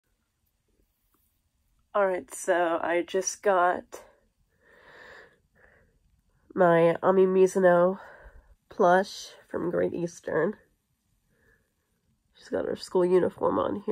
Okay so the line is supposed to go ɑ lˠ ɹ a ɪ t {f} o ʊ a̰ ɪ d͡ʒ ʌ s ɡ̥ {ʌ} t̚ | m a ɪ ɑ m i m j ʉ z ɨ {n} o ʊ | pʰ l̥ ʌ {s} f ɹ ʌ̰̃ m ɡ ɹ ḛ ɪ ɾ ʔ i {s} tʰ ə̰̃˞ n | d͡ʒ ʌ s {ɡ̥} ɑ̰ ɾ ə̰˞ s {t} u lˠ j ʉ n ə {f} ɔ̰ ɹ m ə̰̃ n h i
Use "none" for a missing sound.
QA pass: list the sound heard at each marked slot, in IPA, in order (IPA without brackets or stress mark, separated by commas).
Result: s, ɑ, n, ʃ, s, ɡ̥, k, f